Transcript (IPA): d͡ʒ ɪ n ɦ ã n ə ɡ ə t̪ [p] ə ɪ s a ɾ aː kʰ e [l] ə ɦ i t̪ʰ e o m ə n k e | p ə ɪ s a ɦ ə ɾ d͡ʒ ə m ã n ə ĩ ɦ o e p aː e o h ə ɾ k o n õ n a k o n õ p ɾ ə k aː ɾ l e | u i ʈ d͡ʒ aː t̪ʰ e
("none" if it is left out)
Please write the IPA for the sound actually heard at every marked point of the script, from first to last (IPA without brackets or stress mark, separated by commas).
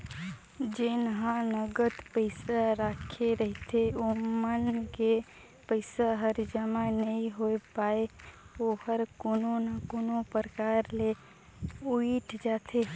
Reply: p, ɾ